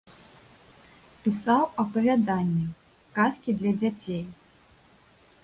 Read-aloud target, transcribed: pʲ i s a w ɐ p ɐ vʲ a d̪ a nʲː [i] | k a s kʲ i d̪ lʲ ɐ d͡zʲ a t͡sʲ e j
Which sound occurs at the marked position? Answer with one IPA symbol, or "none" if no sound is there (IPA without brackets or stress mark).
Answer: ɛ